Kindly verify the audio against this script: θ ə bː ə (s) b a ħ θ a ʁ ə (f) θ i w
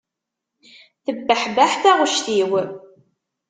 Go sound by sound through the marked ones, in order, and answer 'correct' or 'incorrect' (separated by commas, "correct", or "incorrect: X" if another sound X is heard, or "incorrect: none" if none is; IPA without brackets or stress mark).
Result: incorrect: ħ, incorrect: ʃ